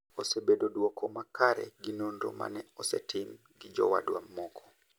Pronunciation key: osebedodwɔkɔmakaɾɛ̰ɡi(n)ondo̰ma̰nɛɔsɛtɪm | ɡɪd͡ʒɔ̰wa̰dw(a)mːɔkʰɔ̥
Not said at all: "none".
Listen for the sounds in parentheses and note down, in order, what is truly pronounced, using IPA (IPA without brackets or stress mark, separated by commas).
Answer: n, a